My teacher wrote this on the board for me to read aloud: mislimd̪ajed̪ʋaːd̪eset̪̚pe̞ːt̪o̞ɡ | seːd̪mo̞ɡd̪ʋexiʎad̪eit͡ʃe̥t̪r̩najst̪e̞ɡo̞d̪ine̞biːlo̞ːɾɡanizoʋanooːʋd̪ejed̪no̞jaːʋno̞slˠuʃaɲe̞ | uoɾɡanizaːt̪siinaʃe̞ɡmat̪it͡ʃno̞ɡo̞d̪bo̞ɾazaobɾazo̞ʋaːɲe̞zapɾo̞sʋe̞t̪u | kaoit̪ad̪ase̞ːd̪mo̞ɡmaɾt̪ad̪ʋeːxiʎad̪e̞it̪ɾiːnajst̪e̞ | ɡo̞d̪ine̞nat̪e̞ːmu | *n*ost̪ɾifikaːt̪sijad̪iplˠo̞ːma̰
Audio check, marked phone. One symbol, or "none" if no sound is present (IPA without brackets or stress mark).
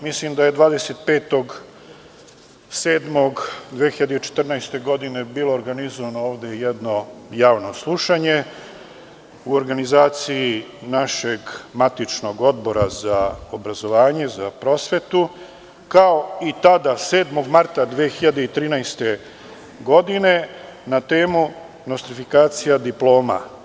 n